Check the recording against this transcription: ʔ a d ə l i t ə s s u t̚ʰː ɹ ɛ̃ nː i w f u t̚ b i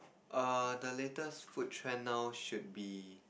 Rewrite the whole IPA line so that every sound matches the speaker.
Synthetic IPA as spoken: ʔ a d ə l e t ə s f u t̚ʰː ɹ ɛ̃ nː a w ʃ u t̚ b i